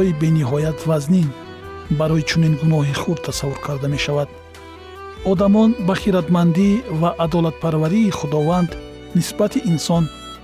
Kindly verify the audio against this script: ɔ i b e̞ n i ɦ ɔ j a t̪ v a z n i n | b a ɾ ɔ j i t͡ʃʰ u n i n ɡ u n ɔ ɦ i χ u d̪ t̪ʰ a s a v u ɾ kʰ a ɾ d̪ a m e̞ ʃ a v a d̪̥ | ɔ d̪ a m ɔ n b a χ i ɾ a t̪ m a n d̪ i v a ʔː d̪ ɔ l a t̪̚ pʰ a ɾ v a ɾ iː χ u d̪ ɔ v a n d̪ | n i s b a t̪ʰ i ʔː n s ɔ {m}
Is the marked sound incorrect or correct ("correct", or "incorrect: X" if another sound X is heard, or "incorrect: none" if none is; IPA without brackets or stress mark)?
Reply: incorrect: n